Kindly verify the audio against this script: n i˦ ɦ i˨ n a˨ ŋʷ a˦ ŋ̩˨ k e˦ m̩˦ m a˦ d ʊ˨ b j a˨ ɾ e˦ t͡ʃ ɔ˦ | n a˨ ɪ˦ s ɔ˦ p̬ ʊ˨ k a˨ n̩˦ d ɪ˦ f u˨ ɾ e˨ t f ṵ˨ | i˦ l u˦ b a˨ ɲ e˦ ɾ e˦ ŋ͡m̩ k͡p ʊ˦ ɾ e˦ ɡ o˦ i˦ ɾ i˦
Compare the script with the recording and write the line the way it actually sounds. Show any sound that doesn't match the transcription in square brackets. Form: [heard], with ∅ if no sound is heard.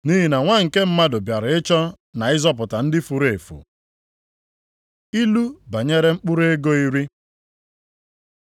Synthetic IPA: n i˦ ɦ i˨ n a˨ ŋʷ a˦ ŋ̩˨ k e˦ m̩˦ m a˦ d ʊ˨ b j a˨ ɾ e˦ t͡ʃ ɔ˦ | n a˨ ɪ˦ [z] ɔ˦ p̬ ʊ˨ [t] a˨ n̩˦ d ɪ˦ f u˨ ɾ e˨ [∅] f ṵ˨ | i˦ l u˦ b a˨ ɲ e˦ ɾ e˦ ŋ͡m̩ k͡p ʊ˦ ɾ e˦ ɡ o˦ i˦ ɾ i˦